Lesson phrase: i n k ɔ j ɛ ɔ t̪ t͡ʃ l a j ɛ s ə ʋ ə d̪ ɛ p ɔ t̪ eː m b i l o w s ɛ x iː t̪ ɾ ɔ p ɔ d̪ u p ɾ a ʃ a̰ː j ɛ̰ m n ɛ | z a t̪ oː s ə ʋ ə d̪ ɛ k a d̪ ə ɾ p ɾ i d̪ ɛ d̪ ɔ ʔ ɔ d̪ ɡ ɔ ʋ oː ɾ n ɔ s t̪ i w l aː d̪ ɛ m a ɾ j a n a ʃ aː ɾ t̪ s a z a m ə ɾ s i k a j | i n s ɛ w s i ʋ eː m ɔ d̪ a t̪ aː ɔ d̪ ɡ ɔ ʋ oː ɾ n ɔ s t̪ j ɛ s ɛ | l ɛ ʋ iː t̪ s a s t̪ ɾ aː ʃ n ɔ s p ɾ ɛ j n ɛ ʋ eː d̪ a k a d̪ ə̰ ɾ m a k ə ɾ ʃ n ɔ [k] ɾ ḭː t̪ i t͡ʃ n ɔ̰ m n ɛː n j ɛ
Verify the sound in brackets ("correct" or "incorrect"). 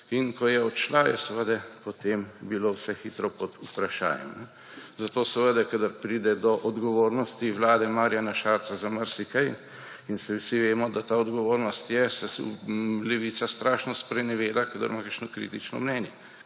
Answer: correct